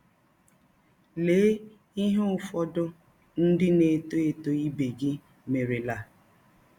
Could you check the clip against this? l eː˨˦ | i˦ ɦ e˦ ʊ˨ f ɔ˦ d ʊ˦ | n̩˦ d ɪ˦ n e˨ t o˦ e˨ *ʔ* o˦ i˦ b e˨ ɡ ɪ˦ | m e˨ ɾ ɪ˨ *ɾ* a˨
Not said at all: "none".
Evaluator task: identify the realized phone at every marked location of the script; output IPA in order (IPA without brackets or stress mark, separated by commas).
t, l